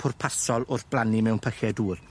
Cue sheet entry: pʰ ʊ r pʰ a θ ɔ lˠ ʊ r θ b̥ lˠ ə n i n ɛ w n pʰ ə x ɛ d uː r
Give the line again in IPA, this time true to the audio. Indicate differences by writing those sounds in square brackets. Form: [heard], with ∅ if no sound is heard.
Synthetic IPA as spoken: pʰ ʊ r pʰ a [s] ɔ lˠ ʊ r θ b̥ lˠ [a] n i [m] ɛ w n pʰ ə x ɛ d uː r